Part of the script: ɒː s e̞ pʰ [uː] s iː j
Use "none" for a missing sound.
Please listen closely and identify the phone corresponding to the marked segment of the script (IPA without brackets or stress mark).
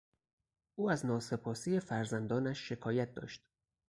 ɒː